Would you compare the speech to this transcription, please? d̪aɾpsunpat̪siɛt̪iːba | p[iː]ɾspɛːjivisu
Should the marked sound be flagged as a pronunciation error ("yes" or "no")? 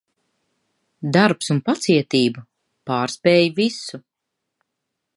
yes